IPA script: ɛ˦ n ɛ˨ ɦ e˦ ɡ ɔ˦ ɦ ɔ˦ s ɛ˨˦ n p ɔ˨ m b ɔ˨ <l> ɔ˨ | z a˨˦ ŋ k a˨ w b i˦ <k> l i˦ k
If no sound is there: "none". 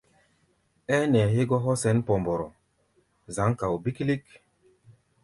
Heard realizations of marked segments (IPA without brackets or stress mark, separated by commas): ɾ, k